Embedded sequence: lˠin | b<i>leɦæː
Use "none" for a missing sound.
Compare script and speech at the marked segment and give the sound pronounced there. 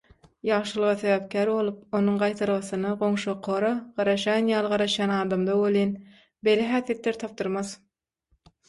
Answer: e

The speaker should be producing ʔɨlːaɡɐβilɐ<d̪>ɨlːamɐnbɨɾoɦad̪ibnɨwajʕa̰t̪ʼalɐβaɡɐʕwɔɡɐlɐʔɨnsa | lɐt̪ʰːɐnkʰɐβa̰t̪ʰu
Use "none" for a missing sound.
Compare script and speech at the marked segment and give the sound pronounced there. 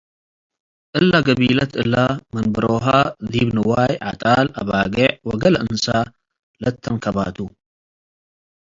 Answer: t̪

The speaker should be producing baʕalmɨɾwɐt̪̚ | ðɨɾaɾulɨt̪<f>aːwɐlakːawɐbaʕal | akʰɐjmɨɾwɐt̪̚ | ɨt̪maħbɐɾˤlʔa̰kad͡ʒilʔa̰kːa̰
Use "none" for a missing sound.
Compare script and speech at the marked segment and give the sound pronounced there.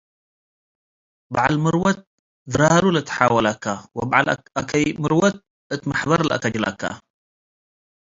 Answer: ħ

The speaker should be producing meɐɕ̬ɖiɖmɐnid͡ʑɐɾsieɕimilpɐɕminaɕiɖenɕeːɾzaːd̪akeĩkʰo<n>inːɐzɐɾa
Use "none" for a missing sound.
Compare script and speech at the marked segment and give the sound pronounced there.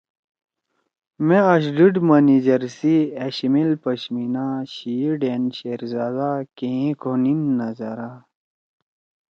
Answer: n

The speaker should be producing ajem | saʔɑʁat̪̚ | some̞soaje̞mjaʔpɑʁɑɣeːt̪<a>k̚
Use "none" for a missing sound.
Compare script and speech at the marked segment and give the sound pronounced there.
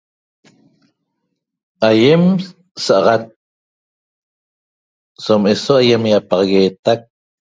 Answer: a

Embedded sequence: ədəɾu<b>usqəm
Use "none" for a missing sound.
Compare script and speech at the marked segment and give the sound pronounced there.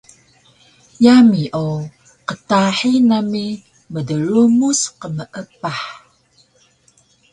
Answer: m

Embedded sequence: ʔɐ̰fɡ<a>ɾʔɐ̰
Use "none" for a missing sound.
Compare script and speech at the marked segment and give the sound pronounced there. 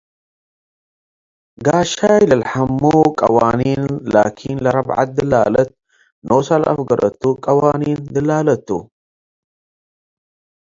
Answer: ɐ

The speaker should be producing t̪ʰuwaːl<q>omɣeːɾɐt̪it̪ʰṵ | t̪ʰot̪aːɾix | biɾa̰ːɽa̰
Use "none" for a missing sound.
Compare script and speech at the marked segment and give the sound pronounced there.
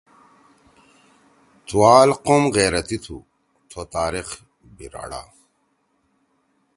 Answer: q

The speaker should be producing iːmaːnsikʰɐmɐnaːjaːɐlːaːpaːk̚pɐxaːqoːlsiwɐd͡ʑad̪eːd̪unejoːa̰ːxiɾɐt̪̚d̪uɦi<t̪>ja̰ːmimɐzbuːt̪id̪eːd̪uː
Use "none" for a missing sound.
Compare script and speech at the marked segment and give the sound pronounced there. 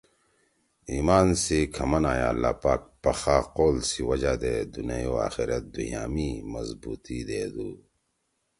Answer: none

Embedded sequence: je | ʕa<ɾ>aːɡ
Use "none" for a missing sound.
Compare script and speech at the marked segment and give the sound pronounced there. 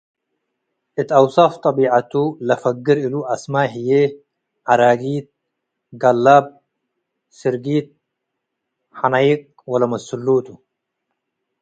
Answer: ɾ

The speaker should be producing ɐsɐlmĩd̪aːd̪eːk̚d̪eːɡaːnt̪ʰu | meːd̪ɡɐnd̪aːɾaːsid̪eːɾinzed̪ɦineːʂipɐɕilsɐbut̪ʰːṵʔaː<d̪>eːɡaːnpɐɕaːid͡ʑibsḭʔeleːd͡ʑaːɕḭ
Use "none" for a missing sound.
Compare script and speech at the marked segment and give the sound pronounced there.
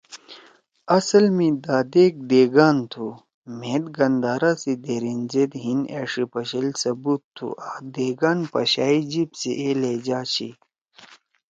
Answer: d̪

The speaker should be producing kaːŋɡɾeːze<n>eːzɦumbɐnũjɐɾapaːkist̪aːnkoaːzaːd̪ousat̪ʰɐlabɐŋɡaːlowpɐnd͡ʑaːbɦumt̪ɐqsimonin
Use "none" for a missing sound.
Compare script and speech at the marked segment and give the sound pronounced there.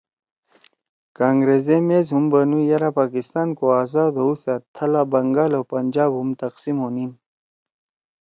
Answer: m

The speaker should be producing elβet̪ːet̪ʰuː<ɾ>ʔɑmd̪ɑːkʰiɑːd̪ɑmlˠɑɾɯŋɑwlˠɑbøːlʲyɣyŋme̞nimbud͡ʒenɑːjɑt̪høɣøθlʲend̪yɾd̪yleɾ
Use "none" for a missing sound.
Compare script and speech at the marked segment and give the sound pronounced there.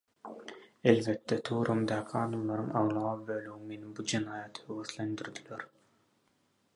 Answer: ɾ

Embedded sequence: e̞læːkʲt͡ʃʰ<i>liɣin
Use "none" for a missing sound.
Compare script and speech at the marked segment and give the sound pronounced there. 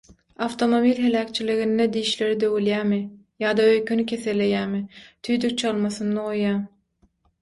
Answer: i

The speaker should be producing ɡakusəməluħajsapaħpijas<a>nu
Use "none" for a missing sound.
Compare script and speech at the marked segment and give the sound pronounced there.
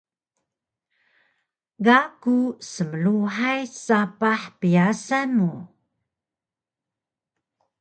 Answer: a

